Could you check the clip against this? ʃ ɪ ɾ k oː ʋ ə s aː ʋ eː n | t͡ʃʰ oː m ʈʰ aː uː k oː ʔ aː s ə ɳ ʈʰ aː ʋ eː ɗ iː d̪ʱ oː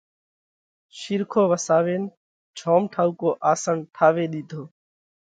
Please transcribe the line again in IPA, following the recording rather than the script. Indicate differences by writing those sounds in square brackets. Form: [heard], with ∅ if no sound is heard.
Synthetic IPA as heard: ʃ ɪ ɾ [kʰ] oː ʋ ə s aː ʋ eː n | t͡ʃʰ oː m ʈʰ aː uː k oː ʔ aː s ə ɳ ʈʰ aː ʋ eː ɗ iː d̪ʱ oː